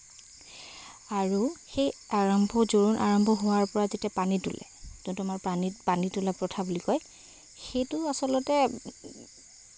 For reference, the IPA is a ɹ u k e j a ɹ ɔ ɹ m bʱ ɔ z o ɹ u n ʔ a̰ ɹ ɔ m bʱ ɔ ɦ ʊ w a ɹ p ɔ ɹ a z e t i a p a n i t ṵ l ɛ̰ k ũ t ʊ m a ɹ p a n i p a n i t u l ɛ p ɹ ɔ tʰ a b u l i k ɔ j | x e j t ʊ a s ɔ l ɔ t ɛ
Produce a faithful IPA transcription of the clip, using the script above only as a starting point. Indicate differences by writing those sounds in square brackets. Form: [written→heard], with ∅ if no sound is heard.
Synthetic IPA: a ɹ u [k→x] e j a ɹ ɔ [ɹ→∅] m bʱ ɔ z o ɹ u n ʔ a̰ ɹ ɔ m bʱ ɔ ɦ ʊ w a ɹ p ɔ ɹ a z e t i a p a n i t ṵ l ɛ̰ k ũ t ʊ m a ɹ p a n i p a n i t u l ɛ p ɹ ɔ tʰ a b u l i k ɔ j | x e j t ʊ a s ɔ l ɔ t ɛ

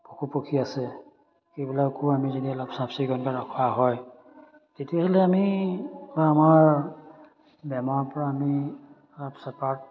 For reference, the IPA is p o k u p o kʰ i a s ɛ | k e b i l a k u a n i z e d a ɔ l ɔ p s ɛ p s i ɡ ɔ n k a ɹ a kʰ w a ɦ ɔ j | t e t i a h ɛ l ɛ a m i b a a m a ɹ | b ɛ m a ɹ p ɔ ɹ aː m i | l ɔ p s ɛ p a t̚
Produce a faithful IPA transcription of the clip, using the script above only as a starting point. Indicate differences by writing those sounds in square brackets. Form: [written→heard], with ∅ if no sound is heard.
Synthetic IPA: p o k u p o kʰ i a s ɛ | k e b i l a k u a [n→m] i z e d [a→i] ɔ l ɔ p s [ɛ→a] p s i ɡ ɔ n k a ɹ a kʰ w a ɦ ɔ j | t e t i a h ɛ l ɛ a m i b a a m a ɹ | b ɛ m a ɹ p ɔ ɹ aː m i | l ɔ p s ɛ p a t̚

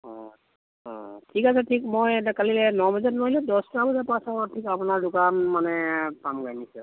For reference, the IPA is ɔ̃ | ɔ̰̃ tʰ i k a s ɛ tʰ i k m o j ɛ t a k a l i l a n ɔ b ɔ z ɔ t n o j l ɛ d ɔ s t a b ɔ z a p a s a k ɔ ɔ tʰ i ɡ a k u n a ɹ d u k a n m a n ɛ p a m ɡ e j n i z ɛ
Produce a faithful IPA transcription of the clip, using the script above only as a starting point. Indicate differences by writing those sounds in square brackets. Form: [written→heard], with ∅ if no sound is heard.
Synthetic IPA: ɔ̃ | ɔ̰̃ tʰ i k a s ɛ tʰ i k m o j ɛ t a k a l i l [a→ɛ] n ɔ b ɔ z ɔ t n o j l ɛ d ɔ s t a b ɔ z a p a s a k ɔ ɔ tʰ i [ɡ→k] a [k→p] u n a ɹ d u k a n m a n ɛ p a m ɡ [e→a] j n i [z→s] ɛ

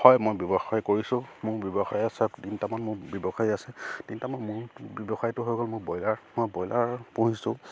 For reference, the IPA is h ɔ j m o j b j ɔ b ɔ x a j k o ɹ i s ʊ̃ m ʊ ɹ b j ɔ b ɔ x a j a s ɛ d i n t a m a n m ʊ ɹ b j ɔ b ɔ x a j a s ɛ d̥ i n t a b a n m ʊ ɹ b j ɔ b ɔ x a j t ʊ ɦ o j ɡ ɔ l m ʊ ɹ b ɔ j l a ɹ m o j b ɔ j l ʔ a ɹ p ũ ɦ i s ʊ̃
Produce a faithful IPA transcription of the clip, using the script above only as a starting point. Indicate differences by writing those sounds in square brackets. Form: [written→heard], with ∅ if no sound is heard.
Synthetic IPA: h ɔ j m o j b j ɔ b ɔ x a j k o ɹ i s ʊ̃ m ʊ ɹ b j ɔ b ɔ x a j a s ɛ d i n t a m a n m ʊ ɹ b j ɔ b ɔ x a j a s ɛ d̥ i n t a [b→m] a n m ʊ ɹ b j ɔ b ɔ x a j t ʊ ɦ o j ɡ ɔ l m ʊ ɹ b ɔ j l a ɹ m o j b ɔ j l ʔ a ɹ p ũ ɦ i s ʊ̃

